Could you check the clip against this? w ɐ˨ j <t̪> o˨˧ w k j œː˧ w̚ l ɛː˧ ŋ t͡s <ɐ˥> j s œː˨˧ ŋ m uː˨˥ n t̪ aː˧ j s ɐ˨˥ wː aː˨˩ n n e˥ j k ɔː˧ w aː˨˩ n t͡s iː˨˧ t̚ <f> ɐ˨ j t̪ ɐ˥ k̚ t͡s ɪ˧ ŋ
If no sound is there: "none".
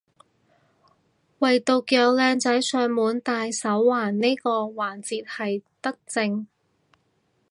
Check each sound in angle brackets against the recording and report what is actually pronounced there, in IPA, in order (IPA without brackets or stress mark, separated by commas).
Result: t̪, ɐ˨˥, h